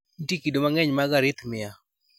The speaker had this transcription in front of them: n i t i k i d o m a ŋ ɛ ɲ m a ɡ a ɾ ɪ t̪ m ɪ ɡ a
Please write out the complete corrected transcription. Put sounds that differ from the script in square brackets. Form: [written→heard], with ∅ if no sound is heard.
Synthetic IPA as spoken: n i t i k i d o m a ŋ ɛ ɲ m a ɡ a ɾ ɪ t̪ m ɪ [ɡ→∅] a